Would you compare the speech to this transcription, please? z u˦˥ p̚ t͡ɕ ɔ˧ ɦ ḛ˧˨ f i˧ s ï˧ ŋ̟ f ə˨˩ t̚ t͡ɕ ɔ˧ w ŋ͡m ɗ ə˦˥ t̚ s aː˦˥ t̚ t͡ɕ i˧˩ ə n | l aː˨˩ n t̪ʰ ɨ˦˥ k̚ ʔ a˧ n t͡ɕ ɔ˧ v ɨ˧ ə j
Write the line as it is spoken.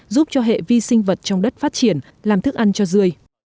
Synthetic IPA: z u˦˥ p̚ t͡ɕ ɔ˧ ɦ ḛ˧˨ v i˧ s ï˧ ŋ̟ v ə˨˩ t̚ t͡ɕ ɔ˧ w ŋ͡m ɗ ə˦˥ t̚ f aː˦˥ t̚ t͡ɕ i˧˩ ə n | l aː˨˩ m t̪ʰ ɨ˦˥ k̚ ʔ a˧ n t͡ɕ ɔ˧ z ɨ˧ ə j